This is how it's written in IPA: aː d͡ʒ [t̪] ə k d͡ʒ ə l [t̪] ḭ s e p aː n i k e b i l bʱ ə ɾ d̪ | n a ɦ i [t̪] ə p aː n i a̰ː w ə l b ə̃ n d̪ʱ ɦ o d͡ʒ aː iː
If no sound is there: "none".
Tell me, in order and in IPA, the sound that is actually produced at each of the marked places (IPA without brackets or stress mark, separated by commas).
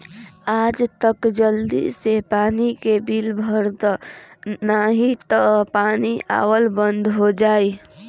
t̪, d̪, t̪